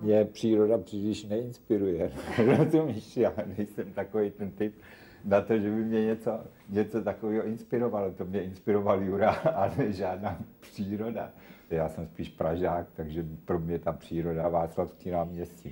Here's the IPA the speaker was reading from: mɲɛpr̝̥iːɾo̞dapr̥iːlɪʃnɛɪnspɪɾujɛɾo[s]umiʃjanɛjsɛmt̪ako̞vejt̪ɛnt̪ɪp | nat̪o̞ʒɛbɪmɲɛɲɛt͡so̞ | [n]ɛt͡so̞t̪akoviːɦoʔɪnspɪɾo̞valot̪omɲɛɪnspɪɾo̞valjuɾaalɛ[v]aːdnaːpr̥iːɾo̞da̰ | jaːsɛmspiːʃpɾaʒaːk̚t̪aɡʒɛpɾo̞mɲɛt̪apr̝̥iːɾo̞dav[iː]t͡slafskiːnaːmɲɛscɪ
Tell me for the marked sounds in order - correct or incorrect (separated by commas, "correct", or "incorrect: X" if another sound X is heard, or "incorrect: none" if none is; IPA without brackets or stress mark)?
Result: incorrect: z, incorrect: ɲ, incorrect: ʒ, incorrect: aː